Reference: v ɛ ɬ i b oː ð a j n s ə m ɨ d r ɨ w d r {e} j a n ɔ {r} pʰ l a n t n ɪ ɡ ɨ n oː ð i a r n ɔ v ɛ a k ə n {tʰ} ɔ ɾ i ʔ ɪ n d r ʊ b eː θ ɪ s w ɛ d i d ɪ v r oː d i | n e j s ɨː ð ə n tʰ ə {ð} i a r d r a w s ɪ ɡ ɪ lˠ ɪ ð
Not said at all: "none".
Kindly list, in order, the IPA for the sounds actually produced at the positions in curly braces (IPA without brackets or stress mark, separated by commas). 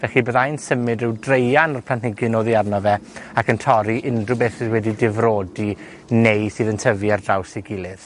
e, r, tʰ, v